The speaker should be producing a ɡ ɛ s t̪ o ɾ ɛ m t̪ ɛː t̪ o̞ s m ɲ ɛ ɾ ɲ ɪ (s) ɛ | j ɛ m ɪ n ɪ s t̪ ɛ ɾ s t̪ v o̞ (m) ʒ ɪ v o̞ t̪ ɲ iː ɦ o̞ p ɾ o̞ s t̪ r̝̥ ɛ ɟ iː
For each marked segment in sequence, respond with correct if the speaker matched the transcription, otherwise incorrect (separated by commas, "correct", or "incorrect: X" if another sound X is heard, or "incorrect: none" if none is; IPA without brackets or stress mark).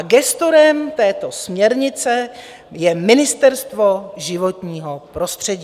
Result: incorrect: t͡s, incorrect: none